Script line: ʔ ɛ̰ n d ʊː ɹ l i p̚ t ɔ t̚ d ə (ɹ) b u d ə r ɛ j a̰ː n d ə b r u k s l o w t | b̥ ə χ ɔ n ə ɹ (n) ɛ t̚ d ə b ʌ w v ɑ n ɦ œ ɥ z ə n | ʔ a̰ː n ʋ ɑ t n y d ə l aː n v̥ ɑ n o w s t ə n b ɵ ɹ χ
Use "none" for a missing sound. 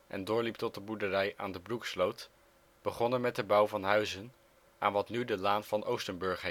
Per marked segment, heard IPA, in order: none, m

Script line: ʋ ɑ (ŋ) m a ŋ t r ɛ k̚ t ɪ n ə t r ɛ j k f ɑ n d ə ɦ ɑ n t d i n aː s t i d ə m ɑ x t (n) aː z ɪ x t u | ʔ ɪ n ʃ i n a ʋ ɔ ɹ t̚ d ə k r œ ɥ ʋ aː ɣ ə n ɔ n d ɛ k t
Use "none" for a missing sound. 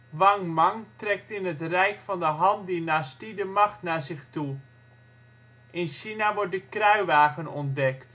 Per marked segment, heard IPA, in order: ŋ, n

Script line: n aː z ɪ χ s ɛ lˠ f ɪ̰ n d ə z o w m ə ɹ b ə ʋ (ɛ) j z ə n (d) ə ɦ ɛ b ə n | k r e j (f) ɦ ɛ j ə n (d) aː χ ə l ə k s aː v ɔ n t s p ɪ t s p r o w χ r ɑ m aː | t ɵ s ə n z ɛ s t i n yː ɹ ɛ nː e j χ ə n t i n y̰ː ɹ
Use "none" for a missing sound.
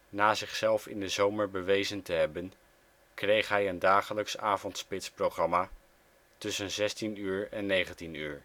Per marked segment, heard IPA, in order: e, t, χ, d

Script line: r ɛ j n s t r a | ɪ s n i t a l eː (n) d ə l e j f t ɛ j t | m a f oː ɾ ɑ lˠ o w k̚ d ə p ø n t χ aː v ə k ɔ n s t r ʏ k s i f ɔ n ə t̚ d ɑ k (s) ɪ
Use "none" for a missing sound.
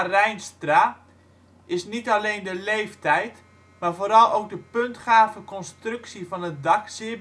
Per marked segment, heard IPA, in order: n, s

